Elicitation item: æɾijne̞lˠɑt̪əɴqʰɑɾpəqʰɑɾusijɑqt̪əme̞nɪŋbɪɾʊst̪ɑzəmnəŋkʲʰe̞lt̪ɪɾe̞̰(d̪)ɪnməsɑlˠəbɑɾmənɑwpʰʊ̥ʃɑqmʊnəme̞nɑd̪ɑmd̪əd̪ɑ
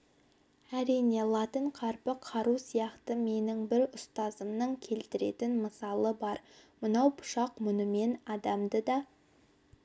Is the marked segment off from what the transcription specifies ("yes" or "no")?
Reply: yes